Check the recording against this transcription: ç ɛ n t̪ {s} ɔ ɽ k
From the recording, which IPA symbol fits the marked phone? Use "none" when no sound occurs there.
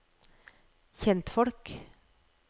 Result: f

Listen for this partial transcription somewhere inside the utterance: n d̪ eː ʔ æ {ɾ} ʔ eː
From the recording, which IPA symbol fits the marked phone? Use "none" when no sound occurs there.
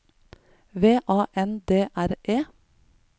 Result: ɾ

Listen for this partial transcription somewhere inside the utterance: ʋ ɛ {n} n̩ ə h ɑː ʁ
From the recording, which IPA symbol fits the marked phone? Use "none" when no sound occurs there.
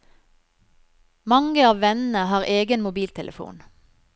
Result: n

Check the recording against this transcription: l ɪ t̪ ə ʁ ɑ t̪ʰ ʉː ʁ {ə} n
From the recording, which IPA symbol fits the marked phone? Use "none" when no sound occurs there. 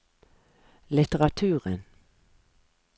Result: ə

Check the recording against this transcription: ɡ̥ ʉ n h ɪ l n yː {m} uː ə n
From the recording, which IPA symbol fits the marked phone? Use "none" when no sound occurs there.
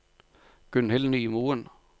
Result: m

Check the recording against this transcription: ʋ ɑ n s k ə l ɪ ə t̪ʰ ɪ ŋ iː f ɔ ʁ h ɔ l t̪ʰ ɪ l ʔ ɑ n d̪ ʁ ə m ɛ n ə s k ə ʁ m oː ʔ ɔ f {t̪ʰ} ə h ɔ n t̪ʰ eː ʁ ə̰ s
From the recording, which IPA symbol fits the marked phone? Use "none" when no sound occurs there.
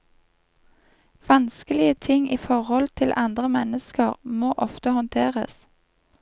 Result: t̪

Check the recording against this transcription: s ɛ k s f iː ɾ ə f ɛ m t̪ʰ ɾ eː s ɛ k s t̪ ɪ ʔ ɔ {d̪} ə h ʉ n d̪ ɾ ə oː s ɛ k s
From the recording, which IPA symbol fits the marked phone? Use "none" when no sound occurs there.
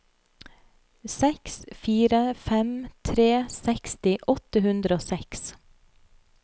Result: t̪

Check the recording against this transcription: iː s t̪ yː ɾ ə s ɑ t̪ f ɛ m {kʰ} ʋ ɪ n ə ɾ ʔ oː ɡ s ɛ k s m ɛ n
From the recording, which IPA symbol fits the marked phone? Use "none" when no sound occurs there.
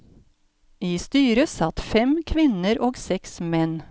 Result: kʰ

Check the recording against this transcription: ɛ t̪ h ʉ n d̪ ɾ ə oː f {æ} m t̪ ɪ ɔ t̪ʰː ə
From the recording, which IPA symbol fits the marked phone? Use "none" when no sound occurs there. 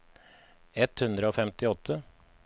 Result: ɛ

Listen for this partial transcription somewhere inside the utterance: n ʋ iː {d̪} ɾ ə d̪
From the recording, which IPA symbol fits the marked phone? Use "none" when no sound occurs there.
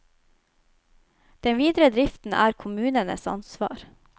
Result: d̪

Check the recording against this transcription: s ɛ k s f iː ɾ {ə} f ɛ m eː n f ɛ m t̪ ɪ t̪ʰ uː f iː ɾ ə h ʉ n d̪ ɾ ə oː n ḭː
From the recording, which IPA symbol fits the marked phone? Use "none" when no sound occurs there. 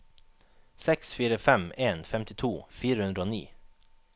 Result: ə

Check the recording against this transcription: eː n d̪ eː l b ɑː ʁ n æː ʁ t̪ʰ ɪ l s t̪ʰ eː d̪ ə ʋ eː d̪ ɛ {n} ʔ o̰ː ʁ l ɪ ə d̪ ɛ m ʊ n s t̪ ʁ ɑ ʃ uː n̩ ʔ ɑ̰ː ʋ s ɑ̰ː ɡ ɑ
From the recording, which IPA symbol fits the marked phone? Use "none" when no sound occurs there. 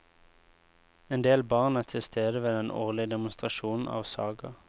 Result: n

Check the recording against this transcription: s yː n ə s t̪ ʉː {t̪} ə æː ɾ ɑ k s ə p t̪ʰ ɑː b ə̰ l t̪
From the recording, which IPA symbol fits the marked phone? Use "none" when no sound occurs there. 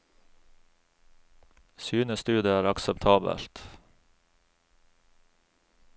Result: d̪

